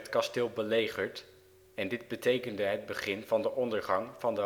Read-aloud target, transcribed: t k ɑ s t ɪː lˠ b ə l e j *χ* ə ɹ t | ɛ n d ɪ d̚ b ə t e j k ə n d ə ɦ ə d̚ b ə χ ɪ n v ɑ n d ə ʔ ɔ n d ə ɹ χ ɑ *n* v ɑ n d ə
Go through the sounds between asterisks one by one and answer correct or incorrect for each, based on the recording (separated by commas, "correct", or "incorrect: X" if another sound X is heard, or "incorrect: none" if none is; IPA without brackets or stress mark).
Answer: correct, incorrect: ŋ